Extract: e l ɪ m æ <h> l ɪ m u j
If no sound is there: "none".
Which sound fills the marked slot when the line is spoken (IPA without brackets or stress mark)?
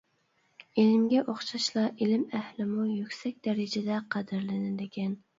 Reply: h